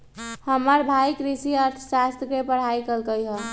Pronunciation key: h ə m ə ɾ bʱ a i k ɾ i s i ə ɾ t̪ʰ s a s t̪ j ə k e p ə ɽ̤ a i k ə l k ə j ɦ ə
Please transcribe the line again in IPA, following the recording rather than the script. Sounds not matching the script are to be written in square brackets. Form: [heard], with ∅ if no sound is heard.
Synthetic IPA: h ə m ə ɾ bʱ a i k ɾ i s i ə ɾ t̪ʰ s a s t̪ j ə k e p ə ɽ̤ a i k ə l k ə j ɦ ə